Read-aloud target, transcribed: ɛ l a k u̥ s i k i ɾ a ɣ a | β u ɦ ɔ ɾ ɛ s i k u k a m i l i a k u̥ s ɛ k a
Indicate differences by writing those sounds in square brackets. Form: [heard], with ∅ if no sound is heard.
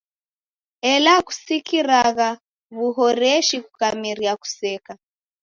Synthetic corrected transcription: ɛ l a k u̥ s i k i ɾ a ɣ a | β u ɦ ɔ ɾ ɛ [ʃ] i k u k a m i [ɾ] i a k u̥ s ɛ k a